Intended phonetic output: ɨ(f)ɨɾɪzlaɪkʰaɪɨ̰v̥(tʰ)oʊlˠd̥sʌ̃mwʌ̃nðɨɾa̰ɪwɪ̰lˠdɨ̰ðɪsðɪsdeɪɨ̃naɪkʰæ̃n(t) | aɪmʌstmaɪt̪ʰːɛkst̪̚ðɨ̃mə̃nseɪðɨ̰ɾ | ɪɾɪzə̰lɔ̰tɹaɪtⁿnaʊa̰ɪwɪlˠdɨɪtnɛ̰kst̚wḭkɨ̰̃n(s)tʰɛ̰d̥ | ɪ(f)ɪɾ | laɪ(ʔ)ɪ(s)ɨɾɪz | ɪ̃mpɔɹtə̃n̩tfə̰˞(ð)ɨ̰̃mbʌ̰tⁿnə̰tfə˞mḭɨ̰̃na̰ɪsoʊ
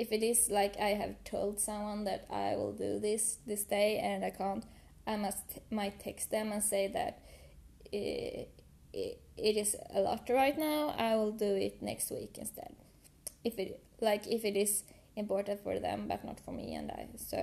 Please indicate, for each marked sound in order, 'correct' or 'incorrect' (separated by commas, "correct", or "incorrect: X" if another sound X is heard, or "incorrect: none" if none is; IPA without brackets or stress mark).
correct, correct, correct, correct, correct, incorrect: k, incorrect: f, correct